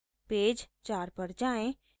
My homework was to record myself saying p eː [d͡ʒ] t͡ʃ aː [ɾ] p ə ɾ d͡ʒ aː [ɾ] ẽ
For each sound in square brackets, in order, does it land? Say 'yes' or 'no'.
yes, yes, no

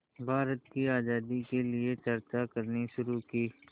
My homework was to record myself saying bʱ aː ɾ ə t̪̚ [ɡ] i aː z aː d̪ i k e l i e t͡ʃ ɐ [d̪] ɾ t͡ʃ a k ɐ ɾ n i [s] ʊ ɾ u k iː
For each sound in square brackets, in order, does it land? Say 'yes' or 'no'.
no, no, no

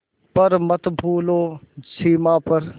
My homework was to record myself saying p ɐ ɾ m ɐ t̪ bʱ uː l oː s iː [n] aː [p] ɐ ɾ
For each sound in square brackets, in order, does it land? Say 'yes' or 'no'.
no, yes

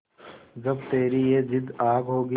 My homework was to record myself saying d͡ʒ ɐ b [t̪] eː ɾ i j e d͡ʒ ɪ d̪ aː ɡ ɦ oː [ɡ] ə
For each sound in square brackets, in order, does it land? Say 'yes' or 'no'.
yes, yes

